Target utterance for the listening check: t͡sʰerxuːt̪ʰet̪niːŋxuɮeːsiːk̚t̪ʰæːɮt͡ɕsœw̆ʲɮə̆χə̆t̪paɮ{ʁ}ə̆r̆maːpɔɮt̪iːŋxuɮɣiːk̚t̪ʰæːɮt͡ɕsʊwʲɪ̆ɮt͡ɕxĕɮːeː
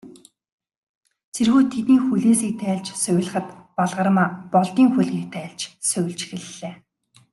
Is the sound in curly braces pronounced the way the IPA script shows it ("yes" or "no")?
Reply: yes